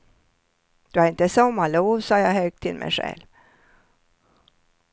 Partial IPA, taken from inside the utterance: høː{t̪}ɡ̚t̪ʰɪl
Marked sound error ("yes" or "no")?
yes